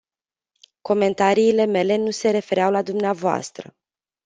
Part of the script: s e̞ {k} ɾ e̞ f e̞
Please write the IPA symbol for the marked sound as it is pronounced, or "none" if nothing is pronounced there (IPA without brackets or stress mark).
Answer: none